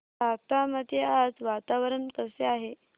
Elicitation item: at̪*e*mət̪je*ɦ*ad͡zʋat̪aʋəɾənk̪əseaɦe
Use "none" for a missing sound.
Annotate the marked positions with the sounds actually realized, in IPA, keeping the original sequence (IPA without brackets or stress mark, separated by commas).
a, none